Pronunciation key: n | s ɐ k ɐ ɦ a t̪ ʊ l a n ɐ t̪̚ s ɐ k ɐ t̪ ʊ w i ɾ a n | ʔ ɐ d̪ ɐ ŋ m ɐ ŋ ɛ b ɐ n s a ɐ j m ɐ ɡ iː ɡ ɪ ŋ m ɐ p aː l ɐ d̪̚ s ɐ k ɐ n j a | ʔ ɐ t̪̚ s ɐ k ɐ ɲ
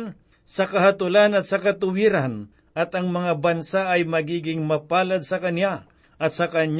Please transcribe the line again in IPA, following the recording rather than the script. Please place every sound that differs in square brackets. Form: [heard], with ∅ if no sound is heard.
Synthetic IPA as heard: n | s ɐ k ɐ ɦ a t̪ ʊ l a n ɐ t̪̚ s ɐ k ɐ t̪ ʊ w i ɾ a n | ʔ ɐ [t̪] ɐ ŋ m ɐ ŋ [a] b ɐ n s a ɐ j m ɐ ɡ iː ɡ ɪ ŋ m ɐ p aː l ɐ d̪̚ s ɐ k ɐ n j a | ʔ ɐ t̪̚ s ɐ k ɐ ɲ